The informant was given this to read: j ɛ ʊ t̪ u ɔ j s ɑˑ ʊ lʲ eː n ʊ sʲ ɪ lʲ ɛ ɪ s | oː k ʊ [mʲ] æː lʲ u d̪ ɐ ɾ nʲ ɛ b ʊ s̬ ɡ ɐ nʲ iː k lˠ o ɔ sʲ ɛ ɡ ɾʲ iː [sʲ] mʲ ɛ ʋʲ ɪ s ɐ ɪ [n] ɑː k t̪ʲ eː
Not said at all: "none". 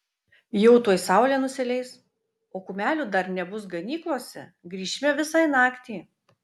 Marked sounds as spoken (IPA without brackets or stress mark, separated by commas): mʲ, ʃʲ, n